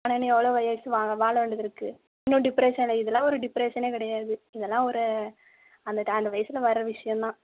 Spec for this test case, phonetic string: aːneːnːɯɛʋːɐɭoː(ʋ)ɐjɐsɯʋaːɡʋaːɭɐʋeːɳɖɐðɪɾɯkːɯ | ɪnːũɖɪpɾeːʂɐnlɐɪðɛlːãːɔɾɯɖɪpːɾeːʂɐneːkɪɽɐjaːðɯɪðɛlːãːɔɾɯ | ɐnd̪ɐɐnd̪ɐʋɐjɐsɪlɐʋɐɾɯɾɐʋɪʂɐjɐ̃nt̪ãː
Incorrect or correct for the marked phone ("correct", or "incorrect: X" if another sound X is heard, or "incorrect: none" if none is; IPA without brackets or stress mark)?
correct